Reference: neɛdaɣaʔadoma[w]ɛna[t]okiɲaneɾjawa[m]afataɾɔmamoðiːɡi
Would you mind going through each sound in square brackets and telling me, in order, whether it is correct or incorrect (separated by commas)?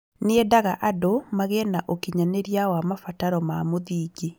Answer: incorrect, incorrect, correct